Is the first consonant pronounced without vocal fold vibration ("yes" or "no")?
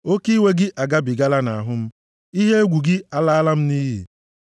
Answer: yes